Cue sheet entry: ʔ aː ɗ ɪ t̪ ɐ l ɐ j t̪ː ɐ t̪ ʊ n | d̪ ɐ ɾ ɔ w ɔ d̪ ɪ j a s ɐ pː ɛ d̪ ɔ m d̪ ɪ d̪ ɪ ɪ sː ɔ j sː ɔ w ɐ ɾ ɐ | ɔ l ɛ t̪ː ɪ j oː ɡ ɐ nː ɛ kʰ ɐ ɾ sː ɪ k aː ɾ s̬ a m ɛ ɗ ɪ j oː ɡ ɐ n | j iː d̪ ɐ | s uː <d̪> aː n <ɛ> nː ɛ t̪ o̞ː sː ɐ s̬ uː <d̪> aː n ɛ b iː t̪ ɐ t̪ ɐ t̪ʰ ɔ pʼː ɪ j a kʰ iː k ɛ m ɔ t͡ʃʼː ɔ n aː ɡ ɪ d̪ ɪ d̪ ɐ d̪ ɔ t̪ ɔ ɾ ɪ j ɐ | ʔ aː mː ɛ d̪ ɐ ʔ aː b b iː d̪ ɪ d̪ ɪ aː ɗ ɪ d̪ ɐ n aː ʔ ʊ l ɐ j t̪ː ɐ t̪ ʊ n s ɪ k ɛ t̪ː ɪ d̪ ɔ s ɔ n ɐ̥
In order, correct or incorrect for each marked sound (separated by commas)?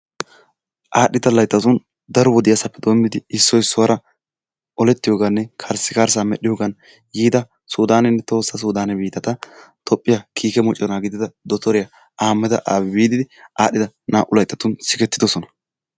correct, correct, correct